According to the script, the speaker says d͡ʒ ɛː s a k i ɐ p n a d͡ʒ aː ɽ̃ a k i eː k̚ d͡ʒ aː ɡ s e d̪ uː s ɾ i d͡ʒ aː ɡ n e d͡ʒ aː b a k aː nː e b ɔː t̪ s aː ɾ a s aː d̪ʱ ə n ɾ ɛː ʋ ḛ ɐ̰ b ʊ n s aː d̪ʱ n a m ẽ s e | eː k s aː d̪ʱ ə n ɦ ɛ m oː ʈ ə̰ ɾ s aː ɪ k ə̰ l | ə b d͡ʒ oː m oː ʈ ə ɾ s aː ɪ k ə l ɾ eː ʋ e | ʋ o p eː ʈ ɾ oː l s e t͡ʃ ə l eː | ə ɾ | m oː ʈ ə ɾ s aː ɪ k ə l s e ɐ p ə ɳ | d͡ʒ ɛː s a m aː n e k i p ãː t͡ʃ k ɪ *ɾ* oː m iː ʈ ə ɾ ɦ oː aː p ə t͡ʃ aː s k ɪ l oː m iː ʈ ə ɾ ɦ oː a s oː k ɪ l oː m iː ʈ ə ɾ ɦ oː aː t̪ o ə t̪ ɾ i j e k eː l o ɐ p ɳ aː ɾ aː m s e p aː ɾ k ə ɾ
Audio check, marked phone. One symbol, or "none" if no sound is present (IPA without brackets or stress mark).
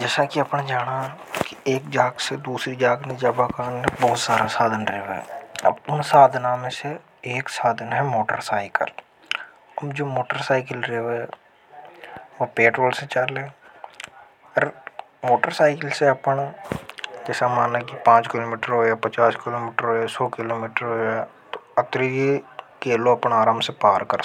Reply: l